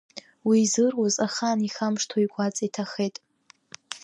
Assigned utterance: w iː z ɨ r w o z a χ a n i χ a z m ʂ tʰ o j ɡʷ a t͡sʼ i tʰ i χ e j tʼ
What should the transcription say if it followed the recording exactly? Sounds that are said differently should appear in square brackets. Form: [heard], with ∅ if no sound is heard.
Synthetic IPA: w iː z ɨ r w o z a χ a n i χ a [∅] m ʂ tʰ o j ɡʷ a t͡sʼ i tʰ [a] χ e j tʼ